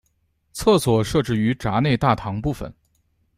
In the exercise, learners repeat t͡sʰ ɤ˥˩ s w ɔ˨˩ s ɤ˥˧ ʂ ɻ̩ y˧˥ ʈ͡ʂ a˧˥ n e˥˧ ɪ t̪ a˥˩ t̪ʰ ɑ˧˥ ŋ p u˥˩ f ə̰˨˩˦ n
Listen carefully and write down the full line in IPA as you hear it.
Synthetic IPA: t͡sʰ ɤ˥˩ s w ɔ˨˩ ʂ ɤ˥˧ ʈ͡ʂ ɻ̩ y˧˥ ʈ͡ʂ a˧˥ n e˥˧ ɪ t̪ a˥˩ t̪ʰ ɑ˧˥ ŋ p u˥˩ f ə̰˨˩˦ n